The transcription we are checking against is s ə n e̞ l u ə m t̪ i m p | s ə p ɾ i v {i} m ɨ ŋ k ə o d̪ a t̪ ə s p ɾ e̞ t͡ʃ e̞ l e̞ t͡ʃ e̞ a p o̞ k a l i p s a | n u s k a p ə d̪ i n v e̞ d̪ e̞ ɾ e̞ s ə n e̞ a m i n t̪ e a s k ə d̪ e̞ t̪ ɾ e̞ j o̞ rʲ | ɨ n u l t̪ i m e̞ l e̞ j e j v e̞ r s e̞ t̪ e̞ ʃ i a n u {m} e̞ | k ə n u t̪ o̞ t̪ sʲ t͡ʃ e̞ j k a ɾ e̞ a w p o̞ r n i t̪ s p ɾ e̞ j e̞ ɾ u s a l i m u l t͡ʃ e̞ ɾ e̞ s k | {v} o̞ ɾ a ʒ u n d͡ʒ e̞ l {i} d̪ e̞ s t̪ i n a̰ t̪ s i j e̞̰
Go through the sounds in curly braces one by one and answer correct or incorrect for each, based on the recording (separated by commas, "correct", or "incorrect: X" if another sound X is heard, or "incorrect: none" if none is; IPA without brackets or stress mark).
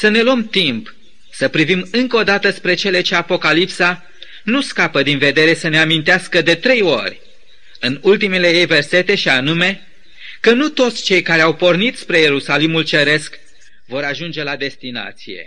correct, correct, correct, incorrect: a